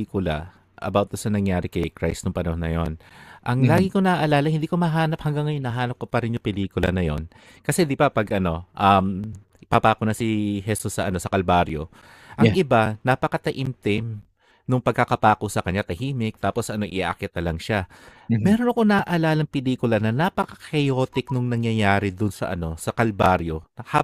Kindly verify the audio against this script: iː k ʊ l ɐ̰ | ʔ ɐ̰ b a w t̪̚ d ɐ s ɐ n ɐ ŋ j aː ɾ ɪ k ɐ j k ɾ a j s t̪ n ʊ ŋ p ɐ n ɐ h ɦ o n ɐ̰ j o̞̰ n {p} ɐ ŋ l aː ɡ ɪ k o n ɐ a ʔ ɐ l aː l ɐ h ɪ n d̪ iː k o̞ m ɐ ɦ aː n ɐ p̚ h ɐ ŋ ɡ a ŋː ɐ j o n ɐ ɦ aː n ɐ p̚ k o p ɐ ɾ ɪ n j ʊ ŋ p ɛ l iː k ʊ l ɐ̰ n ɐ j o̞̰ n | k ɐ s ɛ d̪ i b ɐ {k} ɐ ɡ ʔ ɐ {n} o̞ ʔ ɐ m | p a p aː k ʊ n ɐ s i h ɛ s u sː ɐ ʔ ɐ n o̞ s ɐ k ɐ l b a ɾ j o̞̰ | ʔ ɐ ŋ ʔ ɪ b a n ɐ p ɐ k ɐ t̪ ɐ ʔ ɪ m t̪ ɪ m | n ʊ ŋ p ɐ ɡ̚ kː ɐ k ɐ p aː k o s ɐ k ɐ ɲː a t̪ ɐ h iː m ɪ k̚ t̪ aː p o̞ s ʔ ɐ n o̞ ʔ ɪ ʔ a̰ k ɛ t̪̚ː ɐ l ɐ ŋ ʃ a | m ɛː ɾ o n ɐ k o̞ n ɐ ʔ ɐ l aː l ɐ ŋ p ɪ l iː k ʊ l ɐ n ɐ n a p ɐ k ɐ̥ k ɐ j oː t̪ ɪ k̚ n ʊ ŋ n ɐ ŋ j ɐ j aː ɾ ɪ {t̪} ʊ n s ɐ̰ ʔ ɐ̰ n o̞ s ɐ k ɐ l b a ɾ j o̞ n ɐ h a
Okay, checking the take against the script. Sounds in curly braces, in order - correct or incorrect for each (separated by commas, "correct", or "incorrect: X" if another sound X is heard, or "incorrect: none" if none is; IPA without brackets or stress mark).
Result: incorrect: ʔ, incorrect: p, correct, incorrect: d̪